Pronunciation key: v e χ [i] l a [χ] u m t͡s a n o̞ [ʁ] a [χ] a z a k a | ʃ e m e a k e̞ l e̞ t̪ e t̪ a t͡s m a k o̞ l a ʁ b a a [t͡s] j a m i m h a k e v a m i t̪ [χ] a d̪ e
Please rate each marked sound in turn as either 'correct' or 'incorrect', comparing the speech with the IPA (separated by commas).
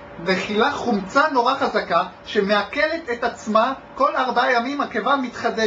correct, correct, correct, correct, incorrect, correct